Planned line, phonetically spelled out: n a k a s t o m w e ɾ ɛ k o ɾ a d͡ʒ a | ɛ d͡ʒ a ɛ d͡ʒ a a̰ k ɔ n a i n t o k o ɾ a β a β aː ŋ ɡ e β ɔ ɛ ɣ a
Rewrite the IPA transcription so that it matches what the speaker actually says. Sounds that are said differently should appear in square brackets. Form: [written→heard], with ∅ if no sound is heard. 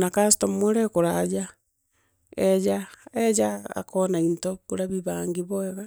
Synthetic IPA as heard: n a k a s t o m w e ɾ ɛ k o ɾ a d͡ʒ a | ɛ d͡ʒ a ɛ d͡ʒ a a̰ k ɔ n a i n t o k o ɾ a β [a→i] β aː ŋ ɡ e β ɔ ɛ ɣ a